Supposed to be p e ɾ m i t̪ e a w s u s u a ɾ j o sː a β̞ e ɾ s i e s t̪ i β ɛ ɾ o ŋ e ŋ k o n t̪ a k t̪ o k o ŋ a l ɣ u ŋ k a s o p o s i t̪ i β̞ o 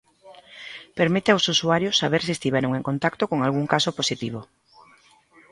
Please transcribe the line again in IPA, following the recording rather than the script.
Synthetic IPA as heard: p e ɾ m i t̪ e a w s u s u a ɾ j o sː a β̞ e ɾ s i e s t̪ i β ɛ ɾ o ŋ e ŋ k o n t̪ a k t̪ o k o ŋ a l ɣ u ŋ k a s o p o s i t̪ i β̞ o